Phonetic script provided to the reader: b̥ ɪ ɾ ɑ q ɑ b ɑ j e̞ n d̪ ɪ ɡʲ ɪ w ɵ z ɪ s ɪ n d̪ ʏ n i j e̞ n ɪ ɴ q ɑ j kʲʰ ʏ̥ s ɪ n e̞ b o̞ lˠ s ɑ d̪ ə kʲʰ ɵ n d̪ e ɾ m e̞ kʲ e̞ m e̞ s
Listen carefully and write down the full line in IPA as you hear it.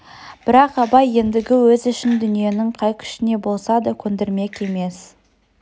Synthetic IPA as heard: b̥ ɪ ɾ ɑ q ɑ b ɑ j e̞ n d̪ ɪ ɡʲ ɪ w ɵ z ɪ ʃ ɪ n d̪ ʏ n i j e̞ n ɪ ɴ qʰ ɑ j kʲʰ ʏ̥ ʃ ɪ n e̞ b o̞ lˠ s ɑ d̪ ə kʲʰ ɵ n d̪ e ɾ m e̞ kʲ e̞ m e̞ s